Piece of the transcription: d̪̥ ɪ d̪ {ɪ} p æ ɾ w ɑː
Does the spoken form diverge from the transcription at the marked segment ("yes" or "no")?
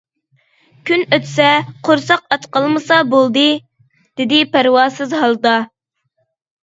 no